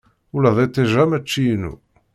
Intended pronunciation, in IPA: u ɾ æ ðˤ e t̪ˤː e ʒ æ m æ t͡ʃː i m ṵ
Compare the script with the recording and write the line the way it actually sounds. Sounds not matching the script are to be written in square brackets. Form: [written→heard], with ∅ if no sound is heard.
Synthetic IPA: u [ɾ→l] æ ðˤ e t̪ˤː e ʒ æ m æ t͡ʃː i [m→n] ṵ